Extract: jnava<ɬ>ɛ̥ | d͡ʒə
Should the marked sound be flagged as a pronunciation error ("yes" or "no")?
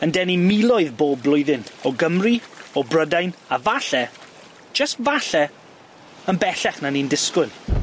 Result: no